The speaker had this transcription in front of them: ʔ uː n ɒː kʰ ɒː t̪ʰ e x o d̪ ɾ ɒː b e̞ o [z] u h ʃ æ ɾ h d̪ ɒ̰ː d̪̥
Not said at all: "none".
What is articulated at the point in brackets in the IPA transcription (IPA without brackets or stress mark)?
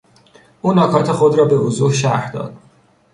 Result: z